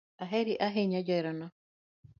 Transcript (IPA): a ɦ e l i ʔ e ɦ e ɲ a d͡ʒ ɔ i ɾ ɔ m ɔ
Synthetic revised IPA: a ɦ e ɾ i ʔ a ɦ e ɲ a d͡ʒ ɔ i ɾ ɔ n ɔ